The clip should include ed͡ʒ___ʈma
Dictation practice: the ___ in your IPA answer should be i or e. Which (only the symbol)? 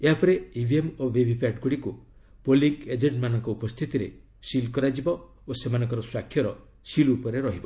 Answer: e